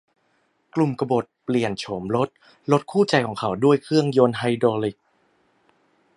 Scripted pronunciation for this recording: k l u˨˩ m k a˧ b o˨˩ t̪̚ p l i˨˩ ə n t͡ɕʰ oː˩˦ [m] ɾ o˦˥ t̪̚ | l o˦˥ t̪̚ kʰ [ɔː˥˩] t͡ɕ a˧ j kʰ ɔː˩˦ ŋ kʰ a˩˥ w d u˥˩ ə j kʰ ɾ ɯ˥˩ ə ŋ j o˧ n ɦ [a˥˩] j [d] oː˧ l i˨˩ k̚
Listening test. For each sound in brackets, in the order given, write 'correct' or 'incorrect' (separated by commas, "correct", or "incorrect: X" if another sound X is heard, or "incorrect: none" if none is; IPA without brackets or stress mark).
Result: correct, incorrect: uː˥˩, incorrect: a˧, correct